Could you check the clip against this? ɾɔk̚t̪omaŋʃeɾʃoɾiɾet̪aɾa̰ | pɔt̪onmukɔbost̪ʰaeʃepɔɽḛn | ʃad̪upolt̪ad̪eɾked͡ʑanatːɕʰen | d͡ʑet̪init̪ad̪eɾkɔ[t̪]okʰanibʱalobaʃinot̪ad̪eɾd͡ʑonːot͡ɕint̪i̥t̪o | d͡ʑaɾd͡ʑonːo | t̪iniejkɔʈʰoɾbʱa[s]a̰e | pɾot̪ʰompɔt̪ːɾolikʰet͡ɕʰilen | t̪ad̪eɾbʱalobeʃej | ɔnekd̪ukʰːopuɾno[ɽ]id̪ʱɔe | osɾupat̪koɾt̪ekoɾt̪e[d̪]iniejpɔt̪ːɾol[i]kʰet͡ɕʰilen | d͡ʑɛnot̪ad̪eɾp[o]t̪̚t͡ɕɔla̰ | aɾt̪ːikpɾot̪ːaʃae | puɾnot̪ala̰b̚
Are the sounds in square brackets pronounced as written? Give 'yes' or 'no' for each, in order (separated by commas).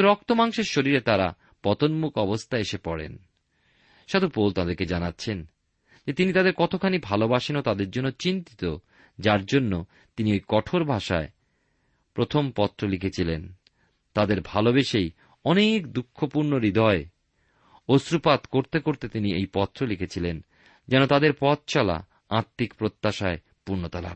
no, no, no, no, yes, no